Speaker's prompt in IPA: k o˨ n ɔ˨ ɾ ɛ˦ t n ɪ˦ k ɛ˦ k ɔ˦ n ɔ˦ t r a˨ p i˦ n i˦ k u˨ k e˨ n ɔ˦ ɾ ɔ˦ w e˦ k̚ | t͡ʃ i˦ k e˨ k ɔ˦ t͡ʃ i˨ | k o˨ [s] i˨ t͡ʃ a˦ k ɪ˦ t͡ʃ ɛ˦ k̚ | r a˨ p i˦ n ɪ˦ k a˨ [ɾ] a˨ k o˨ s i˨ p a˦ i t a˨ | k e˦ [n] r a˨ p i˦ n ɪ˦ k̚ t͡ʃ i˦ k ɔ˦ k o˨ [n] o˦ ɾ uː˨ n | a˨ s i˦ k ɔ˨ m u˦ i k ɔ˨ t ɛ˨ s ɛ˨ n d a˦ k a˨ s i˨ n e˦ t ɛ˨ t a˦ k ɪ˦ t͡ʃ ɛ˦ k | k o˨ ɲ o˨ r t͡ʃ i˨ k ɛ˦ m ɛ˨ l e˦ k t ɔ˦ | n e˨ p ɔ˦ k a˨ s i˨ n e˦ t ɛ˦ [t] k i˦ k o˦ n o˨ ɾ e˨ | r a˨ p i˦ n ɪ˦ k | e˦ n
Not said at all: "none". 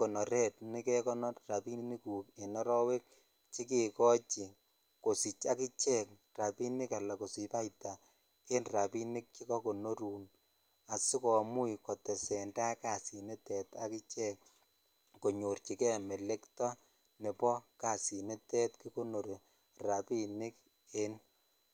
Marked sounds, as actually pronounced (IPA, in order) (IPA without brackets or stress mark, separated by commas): s, l, n, n, t